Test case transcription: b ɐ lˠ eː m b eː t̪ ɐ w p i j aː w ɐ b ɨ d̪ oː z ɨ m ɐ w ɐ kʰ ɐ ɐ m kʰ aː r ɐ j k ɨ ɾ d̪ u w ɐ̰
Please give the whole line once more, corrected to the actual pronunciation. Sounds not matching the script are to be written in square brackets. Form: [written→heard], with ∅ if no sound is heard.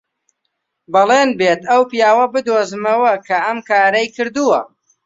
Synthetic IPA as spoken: b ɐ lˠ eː [m→n] b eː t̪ ɐ w p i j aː w ɐ b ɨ d̪ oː z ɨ m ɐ w ɐ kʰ ɐ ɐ m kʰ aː [r→ɾ] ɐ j k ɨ ɾ d̪ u w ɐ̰